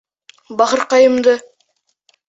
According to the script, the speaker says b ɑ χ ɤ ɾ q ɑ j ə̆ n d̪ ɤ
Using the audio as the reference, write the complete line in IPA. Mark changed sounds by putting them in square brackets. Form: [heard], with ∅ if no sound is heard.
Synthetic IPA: b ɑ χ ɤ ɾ q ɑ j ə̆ [m] d̪ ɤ